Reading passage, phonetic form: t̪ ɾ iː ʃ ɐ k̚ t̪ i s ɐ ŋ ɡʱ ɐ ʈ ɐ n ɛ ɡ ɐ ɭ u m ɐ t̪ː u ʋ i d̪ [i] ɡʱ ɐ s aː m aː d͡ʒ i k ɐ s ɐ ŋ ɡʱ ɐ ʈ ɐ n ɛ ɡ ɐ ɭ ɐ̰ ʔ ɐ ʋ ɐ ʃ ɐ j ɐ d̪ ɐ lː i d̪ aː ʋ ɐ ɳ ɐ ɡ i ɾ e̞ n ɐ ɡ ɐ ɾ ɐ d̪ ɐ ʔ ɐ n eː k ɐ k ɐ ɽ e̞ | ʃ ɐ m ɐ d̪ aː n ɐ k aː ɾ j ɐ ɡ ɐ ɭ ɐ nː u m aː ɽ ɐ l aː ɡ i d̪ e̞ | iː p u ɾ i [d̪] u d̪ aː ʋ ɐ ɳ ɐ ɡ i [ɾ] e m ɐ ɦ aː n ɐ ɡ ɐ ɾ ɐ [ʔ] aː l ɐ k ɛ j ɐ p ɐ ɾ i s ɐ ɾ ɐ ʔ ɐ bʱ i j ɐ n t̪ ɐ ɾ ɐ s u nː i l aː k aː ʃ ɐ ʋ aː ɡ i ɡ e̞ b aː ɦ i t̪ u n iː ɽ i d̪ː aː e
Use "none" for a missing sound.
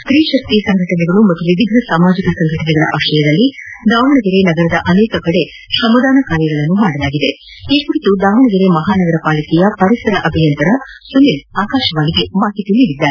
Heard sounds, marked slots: i, t̪, ɾ, p

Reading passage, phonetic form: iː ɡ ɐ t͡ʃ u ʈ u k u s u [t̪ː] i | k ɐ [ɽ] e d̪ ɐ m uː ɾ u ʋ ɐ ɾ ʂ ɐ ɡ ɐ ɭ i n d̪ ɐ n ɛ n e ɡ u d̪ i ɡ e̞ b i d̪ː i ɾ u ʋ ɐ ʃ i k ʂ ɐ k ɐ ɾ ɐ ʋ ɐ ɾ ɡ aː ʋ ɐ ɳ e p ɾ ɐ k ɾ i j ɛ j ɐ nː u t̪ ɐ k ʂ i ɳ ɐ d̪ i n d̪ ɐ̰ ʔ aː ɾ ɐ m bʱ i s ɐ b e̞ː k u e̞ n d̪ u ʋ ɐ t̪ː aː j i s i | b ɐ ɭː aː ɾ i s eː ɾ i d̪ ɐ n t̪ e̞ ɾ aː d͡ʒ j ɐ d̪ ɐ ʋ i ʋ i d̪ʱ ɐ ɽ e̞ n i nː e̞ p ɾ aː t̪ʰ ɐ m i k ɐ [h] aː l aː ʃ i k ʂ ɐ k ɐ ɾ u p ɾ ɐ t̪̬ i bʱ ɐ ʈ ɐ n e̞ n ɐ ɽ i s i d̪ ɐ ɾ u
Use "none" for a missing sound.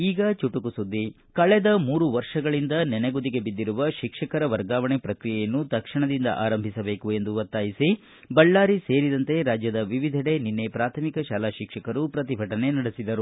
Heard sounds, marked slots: d̪ː, ɭ, ʃ

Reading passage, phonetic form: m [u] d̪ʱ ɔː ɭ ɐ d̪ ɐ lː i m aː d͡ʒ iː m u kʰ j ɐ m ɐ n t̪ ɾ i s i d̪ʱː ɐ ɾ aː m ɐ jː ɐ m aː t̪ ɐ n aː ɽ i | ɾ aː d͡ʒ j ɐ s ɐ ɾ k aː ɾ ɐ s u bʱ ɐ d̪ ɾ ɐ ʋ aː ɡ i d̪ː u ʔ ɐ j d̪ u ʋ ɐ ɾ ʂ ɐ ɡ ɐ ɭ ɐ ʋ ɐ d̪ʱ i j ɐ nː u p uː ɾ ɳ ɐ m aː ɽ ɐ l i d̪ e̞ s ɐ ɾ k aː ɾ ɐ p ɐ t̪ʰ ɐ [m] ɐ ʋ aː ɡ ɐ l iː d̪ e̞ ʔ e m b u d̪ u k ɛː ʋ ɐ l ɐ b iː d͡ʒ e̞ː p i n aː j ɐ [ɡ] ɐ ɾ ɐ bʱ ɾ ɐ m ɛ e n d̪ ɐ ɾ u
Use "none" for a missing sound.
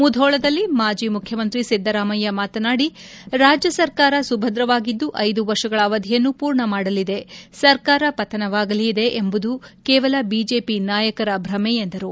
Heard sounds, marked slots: u, n, k

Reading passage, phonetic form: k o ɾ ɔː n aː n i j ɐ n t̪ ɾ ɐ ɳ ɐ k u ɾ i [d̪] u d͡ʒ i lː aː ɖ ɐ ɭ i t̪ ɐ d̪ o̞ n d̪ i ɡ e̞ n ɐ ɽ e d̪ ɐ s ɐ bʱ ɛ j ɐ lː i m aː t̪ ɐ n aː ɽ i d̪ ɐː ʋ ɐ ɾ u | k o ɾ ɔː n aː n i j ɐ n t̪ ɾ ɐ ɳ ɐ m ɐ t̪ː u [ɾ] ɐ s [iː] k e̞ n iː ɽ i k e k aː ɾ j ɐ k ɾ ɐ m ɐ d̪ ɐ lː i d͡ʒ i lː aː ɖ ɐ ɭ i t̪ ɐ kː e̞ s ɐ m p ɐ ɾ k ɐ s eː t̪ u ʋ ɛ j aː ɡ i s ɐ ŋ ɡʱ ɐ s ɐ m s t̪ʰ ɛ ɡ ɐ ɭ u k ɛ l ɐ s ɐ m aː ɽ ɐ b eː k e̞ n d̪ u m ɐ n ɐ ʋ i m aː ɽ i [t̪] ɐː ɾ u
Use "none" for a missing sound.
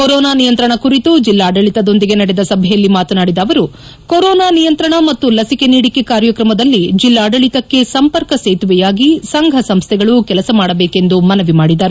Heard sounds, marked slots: t̪, l, i, d̪

